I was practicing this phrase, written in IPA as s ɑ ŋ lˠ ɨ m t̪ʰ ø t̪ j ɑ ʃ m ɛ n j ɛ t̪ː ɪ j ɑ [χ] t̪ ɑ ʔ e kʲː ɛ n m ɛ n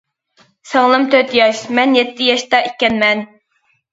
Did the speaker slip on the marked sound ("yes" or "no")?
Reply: yes